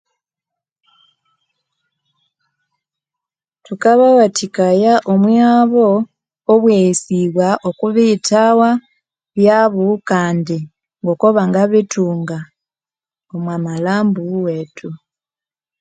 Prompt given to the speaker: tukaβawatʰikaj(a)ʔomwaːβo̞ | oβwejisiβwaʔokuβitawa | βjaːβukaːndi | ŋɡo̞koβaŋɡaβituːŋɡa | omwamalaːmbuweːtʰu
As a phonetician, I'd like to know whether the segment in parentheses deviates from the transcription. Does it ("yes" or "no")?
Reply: no